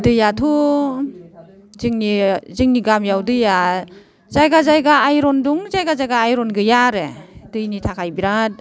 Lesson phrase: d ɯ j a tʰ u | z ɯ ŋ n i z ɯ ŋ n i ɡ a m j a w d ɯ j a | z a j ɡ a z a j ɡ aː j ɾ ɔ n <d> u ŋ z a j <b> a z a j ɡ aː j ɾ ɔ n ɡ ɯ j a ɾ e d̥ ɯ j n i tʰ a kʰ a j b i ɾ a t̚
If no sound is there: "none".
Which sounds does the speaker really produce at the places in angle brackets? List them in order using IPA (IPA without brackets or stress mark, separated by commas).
d, ɡ